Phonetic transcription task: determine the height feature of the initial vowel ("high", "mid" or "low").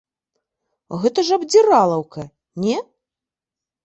mid